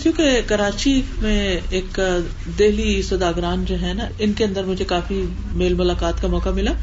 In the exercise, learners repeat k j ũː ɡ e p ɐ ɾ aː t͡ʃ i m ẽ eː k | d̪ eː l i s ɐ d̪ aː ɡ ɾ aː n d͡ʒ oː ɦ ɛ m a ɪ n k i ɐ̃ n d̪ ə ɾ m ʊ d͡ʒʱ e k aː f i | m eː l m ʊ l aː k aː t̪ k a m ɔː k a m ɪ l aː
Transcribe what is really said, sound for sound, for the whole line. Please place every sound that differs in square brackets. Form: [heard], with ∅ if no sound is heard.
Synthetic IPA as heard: k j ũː [k] e [k] ɐ ɾ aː t͡ʃ i m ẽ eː k | d̪ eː l i s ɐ d̪ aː ɡ ɾ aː n d͡ʒ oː ɦ ɛ [n] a ɪ n k [e] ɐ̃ n d̪ ə ɾ m ʊ d͡ʒʱ e k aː f i | m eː l m ʊ l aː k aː t̪ k a m ɔː k a m ɪ l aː